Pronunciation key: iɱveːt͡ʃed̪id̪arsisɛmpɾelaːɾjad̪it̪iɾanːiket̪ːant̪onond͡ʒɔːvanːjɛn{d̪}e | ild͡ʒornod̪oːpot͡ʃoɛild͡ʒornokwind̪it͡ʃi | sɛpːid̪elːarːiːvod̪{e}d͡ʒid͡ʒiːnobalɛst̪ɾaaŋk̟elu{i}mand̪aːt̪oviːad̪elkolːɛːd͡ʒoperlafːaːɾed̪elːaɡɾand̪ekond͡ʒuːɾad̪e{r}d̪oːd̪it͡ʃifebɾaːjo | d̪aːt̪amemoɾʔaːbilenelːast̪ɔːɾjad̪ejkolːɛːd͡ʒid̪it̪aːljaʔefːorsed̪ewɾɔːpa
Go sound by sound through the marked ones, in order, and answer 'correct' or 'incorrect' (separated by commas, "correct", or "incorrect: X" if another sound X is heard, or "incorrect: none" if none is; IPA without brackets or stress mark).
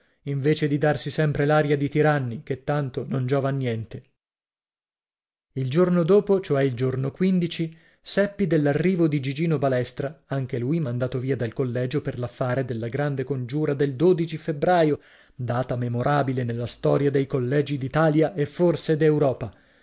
incorrect: t̪, incorrect: i, incorrect: j, incorrect: l